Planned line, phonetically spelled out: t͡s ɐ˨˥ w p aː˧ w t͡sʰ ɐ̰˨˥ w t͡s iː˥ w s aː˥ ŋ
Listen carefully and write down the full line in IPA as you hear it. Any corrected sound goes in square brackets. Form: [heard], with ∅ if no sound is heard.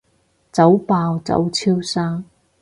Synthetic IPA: t͡s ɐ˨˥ w p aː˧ w [t͡s] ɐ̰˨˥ w [t͡sʰ] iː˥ w s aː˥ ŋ